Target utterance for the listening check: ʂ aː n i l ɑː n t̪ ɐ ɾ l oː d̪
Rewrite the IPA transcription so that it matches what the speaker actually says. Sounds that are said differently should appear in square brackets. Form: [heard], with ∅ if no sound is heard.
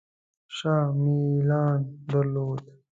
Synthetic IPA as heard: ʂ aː [m] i l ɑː n [d̪] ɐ ɾ l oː d̪